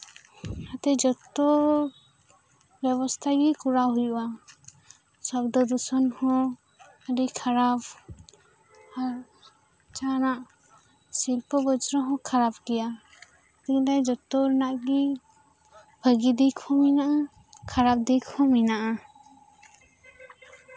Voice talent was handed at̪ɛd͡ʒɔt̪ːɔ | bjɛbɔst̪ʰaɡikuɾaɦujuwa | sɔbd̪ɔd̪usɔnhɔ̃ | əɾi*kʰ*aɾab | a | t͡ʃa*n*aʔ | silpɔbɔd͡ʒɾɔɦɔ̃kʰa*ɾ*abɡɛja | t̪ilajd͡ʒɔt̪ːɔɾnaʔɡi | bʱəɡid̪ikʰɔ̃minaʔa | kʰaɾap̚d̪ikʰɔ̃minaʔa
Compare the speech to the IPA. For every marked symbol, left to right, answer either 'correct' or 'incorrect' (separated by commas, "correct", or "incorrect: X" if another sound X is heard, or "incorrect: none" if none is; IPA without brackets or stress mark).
correct, correct, correct